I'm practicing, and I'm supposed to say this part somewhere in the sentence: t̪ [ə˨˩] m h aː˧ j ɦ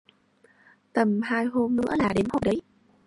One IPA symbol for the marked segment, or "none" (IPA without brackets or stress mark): ə˨˩